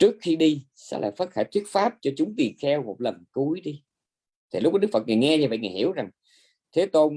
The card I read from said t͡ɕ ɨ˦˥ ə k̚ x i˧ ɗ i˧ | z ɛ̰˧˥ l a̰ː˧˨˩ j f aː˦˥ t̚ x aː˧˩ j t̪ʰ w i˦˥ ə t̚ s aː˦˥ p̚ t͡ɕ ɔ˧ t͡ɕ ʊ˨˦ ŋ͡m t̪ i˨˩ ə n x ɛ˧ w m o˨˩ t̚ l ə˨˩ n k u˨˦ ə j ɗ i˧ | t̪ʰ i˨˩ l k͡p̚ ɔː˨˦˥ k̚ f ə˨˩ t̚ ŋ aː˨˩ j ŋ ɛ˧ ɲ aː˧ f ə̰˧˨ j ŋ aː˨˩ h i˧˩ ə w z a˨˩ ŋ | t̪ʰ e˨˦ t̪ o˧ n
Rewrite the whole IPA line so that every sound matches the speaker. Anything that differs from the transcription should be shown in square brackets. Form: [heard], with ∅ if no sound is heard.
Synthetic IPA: t͡ɕ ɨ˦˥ ə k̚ x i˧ ɗ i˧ | [s] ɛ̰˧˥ l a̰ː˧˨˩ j f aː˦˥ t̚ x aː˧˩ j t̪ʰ w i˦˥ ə t̚ [f] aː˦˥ p̚ t͡ɕ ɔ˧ t͡ɕ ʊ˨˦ ŋ͡m t̪ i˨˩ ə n x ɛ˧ w m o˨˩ t̚ l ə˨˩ n k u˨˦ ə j ɗ i˧ | t̪ʰ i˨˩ l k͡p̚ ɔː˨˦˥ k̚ f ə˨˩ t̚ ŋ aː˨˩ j ŋ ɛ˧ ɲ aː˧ [v] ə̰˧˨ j ŋ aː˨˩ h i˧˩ ə w z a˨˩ ŋ | t̪ʰ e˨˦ t̪ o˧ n